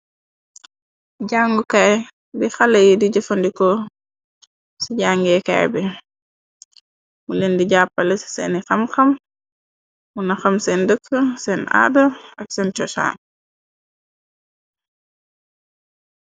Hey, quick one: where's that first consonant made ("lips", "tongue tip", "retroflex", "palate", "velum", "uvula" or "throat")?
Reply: palate